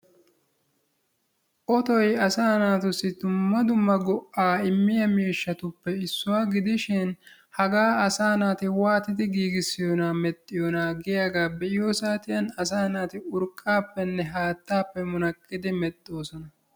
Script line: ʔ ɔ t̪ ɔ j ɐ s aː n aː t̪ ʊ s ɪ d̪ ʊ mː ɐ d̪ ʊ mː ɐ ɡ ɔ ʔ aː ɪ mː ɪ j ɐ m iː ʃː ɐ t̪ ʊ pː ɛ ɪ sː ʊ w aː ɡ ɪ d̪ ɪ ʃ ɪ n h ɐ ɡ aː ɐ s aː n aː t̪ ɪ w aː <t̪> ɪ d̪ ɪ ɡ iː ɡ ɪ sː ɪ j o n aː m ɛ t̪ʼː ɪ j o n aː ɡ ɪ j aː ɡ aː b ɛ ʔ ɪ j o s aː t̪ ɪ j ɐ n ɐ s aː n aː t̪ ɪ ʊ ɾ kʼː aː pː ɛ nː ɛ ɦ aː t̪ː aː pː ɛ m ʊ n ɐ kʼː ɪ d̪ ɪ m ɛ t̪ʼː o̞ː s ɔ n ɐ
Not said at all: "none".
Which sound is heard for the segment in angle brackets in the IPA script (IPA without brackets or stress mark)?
t̪